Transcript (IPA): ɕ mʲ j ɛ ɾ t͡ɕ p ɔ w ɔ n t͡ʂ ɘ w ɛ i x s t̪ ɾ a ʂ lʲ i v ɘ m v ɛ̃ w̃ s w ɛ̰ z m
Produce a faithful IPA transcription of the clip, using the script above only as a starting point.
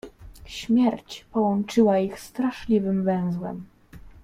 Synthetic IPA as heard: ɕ mʲ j ɛ ɾ t͡ɕ p ɔ w ɔ n t͡ʂ ɘ w a i x s t̪ ɾ a ʂ lʲ i v ɘ m v ɛ̃ w̃ z w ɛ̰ m